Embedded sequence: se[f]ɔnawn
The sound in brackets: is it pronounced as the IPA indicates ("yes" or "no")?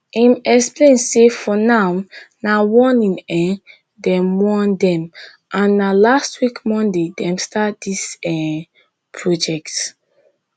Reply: yes